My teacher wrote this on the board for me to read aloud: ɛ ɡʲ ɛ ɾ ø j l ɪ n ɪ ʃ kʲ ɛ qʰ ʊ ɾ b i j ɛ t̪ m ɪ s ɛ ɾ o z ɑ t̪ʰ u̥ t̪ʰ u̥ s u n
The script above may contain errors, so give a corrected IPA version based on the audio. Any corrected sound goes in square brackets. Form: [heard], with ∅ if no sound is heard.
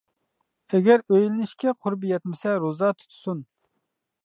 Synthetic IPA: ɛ ɡʲ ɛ ɾ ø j l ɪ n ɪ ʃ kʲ ɛ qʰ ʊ ɾ b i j ɛ t̪ m ɪ s ɛ ɾ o z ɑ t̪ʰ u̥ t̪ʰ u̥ s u n